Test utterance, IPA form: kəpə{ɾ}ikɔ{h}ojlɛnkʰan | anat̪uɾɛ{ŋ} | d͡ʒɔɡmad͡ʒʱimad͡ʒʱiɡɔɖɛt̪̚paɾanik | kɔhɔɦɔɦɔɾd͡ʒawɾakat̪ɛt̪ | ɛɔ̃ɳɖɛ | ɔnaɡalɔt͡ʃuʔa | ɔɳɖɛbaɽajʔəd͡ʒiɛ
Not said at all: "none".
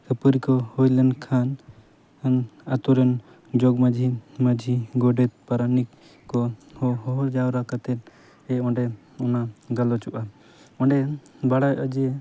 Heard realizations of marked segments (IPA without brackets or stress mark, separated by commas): ɾ, h, n